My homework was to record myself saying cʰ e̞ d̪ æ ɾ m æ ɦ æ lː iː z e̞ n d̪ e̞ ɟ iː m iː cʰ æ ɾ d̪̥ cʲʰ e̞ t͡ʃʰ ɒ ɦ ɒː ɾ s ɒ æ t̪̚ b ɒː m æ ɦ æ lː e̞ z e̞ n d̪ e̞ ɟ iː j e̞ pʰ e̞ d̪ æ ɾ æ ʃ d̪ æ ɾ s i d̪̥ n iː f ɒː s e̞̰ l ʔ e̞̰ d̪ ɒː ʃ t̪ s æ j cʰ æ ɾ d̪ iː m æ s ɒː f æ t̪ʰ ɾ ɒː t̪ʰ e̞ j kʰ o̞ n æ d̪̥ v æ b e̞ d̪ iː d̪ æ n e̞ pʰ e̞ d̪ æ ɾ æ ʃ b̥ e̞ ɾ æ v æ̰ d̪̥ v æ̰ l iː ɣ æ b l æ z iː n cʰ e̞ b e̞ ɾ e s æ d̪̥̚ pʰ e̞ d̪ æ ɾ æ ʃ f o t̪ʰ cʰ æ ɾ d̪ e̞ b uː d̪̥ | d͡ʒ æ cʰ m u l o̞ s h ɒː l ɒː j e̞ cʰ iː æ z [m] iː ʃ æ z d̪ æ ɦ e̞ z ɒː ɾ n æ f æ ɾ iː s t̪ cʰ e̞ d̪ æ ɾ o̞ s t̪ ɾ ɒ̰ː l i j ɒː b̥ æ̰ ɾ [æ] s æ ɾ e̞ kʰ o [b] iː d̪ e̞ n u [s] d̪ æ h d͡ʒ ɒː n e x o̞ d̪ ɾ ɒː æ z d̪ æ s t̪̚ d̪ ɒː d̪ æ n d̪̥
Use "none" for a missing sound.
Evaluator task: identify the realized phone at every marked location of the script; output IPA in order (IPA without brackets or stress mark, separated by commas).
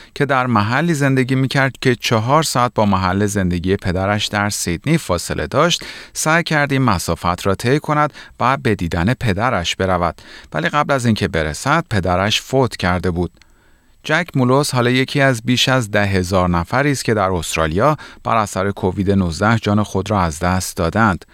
b, æ, v, z